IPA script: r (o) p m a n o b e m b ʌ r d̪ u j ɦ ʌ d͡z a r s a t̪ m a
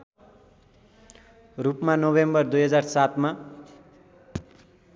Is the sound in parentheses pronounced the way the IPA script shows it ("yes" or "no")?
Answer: no